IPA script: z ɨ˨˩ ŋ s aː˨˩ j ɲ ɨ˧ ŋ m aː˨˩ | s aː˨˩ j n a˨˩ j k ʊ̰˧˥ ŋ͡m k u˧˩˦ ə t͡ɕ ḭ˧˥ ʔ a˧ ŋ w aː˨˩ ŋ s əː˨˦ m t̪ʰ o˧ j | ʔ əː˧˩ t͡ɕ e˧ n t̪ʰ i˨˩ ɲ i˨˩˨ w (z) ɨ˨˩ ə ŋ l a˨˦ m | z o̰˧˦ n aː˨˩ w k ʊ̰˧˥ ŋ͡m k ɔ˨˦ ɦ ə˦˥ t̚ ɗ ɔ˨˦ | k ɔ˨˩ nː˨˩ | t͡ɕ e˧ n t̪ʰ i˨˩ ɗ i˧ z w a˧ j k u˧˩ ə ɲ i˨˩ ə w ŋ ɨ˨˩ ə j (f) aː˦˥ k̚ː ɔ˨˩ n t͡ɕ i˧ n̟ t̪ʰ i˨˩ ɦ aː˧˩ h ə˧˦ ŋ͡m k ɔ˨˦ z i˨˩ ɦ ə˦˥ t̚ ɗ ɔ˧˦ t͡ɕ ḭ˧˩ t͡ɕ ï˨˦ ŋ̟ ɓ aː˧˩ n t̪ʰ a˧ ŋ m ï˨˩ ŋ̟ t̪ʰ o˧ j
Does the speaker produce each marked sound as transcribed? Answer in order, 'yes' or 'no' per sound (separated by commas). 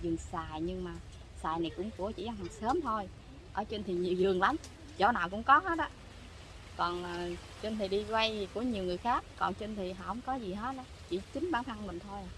yes, no